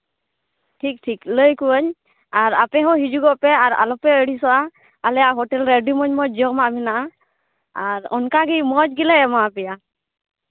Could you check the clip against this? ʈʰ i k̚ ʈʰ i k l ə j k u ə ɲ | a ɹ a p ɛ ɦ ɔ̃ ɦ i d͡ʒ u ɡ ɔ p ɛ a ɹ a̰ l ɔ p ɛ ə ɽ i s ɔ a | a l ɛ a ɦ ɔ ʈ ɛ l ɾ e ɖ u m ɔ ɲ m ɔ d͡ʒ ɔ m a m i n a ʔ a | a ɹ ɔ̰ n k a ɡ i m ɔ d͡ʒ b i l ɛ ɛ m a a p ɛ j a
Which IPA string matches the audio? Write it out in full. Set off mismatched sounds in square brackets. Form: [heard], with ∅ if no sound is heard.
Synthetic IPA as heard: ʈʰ i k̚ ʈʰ i k l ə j k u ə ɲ | a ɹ a p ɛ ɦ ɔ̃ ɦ i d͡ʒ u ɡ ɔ p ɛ a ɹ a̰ l ɔ p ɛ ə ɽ i s ɔ a | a l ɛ a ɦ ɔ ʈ ɛ l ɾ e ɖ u m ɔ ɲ m ɔ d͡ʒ ɔ m a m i n a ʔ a | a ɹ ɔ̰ n k a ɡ i m ɔ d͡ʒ [ɡ] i l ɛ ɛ m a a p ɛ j a